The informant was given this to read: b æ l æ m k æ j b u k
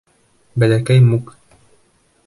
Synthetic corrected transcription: b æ l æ k æ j m u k